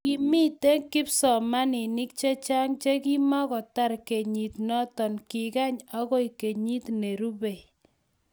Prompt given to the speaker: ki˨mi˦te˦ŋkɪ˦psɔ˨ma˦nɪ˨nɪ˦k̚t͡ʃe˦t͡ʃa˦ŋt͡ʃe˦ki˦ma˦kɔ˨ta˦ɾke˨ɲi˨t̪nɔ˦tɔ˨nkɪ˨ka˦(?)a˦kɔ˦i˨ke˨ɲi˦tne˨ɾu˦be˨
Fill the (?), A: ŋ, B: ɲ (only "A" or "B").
B